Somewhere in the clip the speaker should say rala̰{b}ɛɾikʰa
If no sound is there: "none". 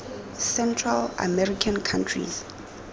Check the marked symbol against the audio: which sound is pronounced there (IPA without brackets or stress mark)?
m